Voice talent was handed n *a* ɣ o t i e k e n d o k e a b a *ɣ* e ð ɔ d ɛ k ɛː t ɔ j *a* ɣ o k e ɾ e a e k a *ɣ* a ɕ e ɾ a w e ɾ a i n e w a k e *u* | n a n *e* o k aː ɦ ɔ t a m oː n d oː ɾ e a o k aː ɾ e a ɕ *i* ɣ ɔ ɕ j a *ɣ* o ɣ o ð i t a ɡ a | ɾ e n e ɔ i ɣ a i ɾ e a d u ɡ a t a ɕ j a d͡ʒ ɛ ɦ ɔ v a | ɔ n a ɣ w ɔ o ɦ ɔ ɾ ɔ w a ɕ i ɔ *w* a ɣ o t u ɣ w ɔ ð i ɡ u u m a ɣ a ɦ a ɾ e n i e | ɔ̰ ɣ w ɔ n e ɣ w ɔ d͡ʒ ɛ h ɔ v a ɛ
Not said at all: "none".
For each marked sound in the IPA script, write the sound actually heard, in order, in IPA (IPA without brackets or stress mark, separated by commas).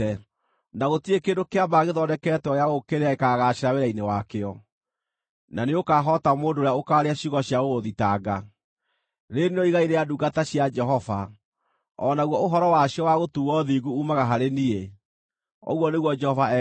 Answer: a, ɣ, a, ɣ, ɔ, e, i, ɣ, w